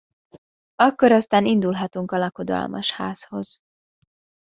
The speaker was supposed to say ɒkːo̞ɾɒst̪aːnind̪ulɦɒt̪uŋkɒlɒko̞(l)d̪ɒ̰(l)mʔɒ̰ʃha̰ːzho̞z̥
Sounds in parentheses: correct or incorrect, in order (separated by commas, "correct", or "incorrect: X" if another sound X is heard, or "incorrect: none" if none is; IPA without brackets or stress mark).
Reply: incorrect: none, correct